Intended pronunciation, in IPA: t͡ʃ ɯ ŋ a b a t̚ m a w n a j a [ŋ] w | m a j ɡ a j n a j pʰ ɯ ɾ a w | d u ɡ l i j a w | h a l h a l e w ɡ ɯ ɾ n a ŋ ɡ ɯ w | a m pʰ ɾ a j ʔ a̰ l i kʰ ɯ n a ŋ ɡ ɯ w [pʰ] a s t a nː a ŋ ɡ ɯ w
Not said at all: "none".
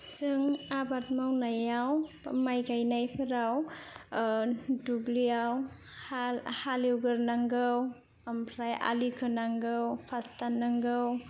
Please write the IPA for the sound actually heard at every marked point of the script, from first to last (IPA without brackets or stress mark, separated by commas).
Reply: none, pʰ